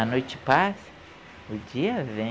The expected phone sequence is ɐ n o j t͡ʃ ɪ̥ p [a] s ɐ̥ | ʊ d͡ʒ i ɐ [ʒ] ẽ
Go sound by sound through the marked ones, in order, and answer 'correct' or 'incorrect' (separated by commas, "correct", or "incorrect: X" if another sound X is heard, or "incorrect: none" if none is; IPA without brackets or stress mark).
correct, incorrect: v